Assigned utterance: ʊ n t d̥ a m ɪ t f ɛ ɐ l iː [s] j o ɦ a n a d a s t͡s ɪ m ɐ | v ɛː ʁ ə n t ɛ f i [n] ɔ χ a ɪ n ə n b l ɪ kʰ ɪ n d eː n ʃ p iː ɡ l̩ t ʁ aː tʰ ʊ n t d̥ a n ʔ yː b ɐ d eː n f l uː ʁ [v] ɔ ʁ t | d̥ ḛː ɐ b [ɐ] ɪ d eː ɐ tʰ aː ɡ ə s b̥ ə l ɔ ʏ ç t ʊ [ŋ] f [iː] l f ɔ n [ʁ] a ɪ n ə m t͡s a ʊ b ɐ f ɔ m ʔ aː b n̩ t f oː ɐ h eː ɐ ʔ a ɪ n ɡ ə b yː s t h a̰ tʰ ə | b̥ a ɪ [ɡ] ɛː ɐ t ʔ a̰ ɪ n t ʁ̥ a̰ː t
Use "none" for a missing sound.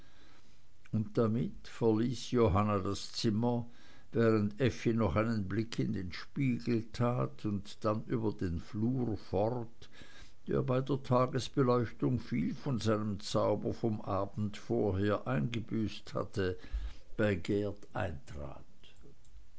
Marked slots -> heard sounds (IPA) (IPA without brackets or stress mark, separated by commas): s, n, f, a, ŋ, iː, z, ɡ